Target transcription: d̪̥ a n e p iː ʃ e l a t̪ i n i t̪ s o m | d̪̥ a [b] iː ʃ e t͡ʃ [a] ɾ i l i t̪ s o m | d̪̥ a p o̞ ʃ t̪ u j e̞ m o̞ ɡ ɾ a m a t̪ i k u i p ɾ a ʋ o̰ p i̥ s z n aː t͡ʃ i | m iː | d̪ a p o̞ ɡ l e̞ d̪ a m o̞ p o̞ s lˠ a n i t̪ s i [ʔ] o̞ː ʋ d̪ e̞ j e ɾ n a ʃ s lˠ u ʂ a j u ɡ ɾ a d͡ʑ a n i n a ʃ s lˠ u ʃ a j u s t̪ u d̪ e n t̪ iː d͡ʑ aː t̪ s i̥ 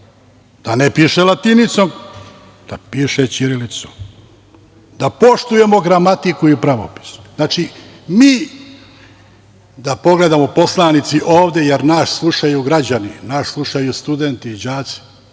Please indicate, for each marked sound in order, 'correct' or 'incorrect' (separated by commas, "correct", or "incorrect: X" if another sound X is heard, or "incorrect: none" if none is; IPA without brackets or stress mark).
incorrect: p, incorrect: i, correct